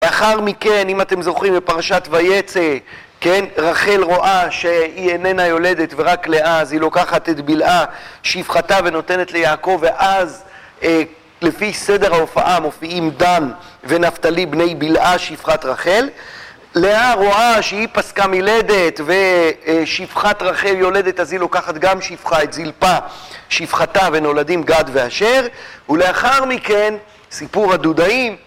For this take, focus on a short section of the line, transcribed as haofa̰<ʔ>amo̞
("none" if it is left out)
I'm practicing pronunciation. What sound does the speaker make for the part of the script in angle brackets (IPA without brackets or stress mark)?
ʔ